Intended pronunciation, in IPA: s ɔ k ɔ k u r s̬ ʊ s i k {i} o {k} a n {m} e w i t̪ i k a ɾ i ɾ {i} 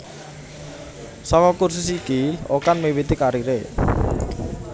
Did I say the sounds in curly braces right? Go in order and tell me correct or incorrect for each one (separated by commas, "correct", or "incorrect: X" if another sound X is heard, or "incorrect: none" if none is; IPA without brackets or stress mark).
correct, correct, correct, incorrect: e